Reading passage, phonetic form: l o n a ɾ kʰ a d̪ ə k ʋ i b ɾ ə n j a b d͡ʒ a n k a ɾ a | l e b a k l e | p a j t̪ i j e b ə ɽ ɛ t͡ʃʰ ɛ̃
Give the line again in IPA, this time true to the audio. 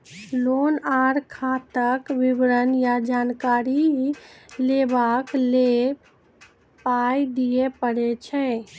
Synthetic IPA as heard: l o n a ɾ kʰ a t̪ ə k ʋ i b ɾ ə n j a d͡ʒ a n k a ɾ i | l e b a k l e | p a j d̪ i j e p ə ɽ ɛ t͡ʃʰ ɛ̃